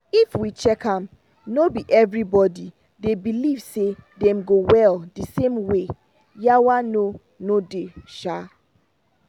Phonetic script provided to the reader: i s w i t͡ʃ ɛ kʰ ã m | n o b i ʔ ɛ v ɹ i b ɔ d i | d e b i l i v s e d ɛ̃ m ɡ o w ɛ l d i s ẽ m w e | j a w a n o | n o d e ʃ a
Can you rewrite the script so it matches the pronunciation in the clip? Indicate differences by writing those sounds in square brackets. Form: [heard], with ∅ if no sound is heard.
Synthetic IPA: i [f] w i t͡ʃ ɛ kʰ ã m | n o b i ʔ ɛ v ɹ i b ɔ d i | d e b i l i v s e d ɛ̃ m ɡ o w ɛ l d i s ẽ m w e | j a w a n o | n o d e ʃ a